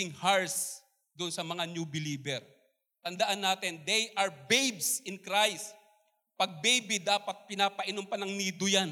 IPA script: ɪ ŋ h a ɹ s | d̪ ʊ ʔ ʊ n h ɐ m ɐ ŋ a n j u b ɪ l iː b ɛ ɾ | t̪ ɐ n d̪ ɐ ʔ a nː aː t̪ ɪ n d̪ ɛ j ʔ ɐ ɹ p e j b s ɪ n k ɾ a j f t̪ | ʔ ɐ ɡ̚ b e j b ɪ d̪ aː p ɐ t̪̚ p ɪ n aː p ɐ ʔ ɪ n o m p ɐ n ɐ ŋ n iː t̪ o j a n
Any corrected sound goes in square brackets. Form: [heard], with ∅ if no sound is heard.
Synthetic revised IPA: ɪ ŋ h a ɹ s | d̪ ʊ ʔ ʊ n [s] ɐ m ɐ ŋ a n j u b ɪ l iː b ɛ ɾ | t̪ ɐ n d̪ ɐ ʔ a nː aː t̪ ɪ n d̪ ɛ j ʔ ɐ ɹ [b] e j b s ɪ n k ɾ a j [s] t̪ | [p] ɐ ɡ̚ b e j b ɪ d̪ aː p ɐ t̪̚ p ɪ n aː p ɐ ʔ ɪ n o m p ɐ n ɐ ŋ n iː [d̪] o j a n